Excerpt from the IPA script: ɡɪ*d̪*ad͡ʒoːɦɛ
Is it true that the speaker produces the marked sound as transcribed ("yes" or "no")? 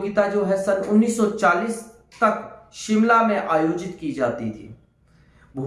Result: no